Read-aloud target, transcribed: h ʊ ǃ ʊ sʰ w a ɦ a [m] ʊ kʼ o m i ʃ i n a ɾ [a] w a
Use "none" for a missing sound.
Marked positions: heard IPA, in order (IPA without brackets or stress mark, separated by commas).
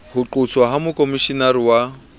m, i